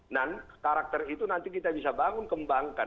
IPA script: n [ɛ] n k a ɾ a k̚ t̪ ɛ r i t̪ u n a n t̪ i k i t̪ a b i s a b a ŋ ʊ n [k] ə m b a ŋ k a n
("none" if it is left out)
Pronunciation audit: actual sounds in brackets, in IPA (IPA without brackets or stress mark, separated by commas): a, k